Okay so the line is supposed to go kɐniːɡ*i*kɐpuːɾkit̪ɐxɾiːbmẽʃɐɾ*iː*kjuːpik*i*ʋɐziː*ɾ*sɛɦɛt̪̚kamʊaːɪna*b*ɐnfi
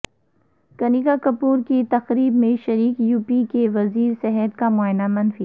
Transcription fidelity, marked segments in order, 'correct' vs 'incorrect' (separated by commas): incorrect, correct, incorrect, correct, incorrect